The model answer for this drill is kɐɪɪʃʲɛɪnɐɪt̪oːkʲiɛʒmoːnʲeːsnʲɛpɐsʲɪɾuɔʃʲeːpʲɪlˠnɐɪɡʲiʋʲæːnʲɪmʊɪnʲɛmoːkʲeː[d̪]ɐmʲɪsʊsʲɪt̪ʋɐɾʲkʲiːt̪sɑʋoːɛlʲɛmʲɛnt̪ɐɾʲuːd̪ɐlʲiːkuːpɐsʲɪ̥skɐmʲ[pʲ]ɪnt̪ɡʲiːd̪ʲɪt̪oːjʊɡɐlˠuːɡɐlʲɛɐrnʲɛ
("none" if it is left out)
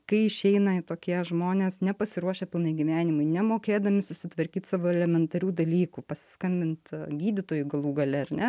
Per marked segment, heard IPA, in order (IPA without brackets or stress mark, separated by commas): d̪, bʲ